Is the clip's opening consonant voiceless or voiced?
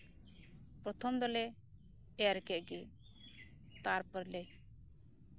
voiceless